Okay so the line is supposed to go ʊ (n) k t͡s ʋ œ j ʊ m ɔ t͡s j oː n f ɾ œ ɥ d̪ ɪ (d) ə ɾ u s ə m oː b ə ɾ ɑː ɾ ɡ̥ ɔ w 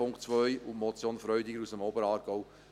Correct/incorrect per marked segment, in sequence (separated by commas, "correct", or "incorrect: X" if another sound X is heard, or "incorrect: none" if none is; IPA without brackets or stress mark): incorrect: ŋ, incorrect: ɡ